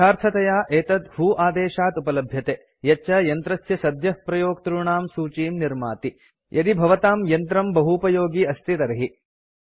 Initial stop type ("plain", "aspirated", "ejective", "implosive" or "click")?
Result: aspirated